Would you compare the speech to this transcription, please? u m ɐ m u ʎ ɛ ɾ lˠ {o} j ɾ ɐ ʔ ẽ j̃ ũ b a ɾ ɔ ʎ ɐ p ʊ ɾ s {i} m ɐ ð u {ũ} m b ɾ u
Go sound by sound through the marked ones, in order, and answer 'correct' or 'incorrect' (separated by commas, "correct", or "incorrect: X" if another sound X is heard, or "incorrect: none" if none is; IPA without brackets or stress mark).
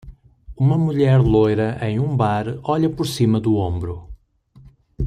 correct, correct, incorrect: õ